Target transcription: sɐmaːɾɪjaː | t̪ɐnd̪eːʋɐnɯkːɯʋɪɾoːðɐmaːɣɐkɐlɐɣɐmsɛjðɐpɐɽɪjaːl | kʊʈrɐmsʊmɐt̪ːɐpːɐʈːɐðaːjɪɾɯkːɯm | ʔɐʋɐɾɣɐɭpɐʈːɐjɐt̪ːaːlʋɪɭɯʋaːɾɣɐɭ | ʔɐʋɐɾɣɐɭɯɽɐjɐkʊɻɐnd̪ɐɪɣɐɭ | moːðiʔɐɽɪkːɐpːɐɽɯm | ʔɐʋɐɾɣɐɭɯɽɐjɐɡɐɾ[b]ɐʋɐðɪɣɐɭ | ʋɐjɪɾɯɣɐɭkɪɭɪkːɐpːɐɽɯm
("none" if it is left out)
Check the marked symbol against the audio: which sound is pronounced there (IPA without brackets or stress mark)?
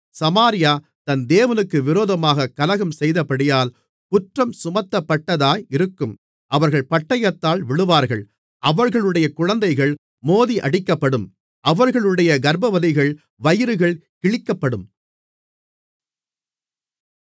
b